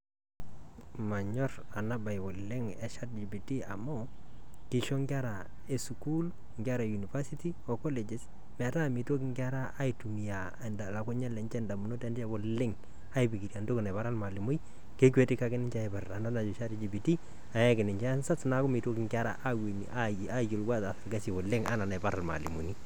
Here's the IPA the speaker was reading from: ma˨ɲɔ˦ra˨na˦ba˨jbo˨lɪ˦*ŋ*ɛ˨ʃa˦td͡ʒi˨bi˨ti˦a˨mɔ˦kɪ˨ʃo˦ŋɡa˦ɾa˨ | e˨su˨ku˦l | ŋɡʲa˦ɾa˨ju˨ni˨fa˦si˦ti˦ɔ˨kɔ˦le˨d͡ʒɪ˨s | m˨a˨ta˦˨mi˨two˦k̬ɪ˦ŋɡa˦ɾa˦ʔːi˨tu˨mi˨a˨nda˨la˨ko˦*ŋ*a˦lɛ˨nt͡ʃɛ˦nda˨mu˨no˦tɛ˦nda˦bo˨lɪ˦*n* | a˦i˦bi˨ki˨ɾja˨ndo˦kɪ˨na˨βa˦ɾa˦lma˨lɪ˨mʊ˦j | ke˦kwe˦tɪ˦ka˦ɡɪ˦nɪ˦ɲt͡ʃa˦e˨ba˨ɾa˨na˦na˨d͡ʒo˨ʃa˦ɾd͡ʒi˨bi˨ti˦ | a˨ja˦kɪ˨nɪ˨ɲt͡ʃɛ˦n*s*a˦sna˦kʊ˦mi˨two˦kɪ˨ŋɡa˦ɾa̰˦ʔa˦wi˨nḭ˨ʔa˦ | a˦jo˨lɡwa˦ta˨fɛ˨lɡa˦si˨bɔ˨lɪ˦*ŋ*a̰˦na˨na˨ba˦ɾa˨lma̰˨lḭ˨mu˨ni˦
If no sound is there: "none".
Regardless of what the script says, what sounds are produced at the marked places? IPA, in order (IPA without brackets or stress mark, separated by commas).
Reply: ŋ, ɲ, ŋ, s, ŋ